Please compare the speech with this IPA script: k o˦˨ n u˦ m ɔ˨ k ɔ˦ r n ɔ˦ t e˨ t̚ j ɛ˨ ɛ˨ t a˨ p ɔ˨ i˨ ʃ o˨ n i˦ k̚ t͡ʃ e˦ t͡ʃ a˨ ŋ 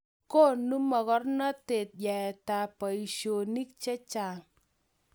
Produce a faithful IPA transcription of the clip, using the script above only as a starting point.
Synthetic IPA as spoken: k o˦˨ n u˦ m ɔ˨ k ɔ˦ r n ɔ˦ t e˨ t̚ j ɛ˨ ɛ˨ t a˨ p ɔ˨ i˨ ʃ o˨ n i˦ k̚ t͡ʃ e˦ t͡ʃ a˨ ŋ